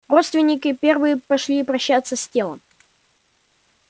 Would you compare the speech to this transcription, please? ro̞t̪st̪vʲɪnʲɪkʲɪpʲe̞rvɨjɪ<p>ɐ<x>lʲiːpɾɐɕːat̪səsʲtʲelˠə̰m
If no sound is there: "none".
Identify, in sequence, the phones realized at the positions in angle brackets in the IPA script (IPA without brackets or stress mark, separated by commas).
p, ʂ